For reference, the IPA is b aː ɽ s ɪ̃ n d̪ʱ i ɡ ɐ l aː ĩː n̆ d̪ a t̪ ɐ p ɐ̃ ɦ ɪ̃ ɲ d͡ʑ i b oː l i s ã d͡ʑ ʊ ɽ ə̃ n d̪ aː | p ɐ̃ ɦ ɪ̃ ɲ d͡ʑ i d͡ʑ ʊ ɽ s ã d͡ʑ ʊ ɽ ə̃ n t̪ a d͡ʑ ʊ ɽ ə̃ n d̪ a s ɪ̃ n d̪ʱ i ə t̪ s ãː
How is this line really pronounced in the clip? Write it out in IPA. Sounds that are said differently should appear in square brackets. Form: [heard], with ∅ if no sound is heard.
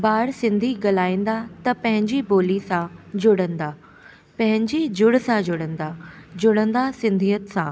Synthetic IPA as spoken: b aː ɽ s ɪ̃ n d̪ʱ i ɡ ɐ l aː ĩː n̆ d̪ a t̪ ɐ p ɐ̃ ɦ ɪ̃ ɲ d͡ʑ i b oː l i s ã d͡ʑ ʊ ɽ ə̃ n d̪ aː | p ɐ̃ ɦ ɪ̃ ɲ d͡ʑ i d͡ʑ ʊ ɽ s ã d͡ʑ ʊ ɽ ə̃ n [d̪] a d͡ʑ ʊ ɽ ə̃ n d̪ a s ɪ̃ n d̪ʱ i ə t̪ s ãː